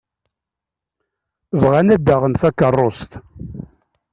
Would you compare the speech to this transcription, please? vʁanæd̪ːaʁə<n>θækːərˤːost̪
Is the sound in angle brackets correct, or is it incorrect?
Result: correct